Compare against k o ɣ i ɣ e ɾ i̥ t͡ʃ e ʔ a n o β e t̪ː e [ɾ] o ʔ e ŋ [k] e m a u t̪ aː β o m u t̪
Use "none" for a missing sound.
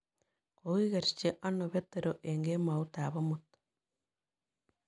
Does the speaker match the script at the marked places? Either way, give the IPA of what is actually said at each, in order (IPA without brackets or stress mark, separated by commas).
ɾ, ɡ